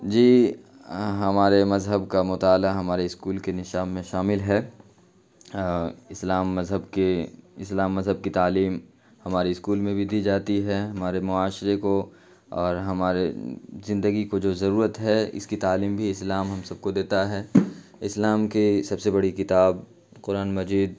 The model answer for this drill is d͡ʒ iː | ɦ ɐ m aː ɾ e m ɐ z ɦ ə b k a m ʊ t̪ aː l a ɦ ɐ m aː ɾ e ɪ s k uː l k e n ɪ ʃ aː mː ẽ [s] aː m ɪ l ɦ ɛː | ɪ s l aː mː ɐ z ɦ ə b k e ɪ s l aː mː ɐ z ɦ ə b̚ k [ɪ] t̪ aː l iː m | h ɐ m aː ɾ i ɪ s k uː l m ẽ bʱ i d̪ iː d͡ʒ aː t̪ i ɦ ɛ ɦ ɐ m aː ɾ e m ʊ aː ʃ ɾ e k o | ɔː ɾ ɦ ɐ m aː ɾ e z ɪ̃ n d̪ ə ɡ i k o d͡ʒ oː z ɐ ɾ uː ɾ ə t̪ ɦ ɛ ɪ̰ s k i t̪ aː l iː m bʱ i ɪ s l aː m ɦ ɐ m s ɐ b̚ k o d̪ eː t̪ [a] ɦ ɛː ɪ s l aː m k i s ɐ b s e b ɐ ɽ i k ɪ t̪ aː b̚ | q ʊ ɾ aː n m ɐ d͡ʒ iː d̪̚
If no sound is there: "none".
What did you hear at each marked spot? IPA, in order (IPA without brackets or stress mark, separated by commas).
ʃ, i, a